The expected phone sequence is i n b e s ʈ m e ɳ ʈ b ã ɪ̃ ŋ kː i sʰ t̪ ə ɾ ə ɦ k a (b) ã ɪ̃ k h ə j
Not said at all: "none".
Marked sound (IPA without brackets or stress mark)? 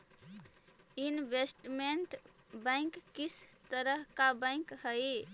b